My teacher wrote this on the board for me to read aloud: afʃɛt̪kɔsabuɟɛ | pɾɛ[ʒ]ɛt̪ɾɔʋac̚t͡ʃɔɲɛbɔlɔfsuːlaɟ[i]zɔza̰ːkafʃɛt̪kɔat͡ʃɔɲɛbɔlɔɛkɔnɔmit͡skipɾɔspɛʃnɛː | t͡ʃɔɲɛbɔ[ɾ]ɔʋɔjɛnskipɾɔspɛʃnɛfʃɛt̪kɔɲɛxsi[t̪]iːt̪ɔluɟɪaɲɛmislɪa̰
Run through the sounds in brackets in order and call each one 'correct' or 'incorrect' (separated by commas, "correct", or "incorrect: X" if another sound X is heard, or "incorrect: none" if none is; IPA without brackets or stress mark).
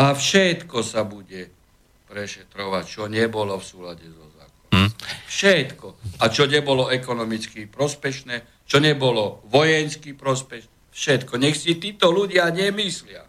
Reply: incorrect: ʃ, incorrect: ɛ, incorrect: l, correct